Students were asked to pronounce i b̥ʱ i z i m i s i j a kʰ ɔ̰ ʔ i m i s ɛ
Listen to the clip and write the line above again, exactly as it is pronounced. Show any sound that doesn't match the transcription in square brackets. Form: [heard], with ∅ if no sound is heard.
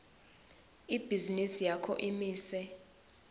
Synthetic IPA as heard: i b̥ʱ i z i [n] i s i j a kʰ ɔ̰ ʔ i m [iː] s ɛ